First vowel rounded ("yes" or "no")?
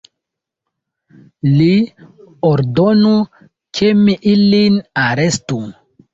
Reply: no